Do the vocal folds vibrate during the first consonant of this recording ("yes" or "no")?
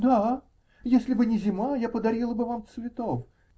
yes